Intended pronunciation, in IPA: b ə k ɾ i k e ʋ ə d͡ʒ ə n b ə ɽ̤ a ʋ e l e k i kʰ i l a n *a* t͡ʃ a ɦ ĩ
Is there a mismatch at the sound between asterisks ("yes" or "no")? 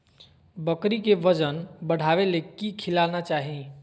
no